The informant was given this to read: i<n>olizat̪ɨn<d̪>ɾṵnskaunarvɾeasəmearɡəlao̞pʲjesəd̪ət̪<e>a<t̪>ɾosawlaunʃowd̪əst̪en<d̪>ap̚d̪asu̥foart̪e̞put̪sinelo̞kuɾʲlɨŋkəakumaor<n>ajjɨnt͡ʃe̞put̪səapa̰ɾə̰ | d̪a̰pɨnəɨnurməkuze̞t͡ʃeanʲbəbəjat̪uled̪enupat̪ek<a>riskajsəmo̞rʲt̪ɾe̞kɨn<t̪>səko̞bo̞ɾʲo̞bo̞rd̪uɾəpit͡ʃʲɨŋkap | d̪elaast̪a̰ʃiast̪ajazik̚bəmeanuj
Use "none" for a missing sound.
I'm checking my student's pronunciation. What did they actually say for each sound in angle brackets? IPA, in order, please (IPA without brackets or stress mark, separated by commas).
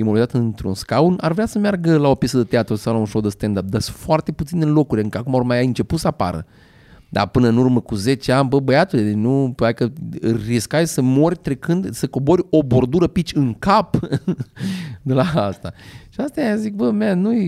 m, t̪, e, t̪, d̪, m, ə, d̪